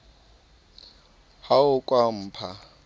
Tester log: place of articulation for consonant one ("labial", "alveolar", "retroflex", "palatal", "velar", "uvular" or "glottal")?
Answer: glottal